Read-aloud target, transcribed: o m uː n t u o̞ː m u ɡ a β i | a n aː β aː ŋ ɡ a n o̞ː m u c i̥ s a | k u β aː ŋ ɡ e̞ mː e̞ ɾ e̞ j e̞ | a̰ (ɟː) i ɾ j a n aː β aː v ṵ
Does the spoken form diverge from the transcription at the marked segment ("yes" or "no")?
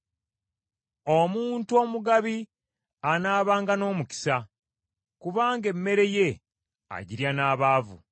yes